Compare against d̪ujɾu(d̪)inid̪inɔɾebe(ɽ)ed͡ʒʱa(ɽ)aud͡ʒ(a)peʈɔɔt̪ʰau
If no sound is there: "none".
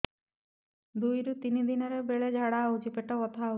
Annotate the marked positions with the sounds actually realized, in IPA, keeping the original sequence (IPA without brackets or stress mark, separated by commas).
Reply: t̪, ɭ, ɽ, i